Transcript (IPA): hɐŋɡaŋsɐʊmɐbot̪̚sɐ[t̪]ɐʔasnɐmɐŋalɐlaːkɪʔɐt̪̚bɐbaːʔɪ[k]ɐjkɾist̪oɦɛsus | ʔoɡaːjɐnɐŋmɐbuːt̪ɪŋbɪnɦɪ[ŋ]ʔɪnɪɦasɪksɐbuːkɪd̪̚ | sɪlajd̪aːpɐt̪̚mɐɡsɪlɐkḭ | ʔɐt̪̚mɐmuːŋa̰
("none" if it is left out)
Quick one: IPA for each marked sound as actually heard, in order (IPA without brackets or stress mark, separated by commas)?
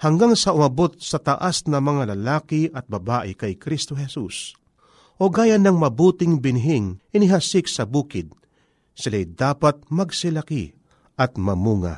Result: t̪, k, ŋ